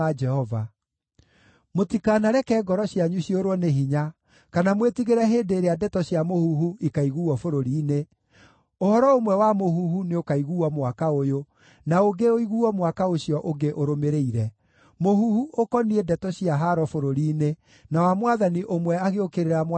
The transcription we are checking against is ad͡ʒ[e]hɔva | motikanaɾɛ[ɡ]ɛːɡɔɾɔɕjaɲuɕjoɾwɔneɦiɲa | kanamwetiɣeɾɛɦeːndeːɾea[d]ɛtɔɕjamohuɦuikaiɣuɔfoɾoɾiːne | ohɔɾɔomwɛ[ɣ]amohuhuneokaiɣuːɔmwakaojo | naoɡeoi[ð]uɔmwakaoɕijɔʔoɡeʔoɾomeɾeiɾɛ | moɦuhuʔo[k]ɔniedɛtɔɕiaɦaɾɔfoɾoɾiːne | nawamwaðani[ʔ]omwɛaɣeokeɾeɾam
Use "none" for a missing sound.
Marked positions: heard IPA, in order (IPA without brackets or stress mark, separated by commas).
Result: ɛ, k, d, w, ɣ, k, ʔ